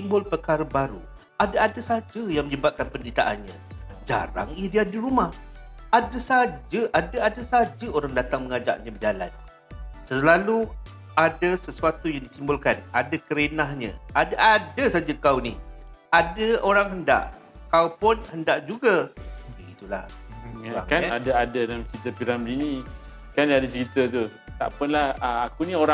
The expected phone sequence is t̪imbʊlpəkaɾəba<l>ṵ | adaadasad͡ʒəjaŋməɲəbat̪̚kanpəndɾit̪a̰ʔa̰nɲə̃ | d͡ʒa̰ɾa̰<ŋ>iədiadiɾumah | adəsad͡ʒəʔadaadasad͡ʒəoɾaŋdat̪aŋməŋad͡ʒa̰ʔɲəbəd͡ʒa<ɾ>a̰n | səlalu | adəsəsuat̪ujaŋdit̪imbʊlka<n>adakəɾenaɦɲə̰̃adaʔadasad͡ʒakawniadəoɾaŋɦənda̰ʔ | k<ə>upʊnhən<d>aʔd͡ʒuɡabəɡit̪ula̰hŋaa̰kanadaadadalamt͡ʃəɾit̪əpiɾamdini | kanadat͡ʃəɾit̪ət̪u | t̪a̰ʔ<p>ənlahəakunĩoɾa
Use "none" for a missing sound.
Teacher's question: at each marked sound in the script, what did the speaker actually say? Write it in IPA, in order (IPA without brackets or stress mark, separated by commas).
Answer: ɾ, ŋ, l, n, a, d, p